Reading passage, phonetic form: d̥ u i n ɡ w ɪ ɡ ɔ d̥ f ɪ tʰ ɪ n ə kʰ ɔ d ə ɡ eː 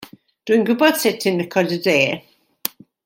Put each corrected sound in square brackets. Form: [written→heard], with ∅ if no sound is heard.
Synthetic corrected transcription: d̥ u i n ɡ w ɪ [ɡ→b] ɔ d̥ [f→s] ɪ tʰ ɪ n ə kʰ ɔ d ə [ɡ→d] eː